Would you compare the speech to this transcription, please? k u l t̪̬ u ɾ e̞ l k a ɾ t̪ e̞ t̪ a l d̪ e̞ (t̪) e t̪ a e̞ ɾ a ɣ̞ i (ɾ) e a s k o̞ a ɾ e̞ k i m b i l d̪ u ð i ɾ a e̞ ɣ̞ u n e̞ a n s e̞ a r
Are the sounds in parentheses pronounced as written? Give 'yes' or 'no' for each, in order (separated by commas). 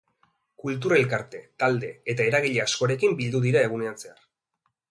no, no